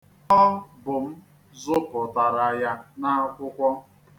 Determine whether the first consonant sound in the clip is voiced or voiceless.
voiced